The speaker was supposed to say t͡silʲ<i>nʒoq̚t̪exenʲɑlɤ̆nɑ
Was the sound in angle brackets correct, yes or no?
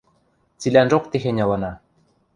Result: no